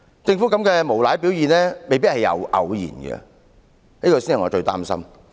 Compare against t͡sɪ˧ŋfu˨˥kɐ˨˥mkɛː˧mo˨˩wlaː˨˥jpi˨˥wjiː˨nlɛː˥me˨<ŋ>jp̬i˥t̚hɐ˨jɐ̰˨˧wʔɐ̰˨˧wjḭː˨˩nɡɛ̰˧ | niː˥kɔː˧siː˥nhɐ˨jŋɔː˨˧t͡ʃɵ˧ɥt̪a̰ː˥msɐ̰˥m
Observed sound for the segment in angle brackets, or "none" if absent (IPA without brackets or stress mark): none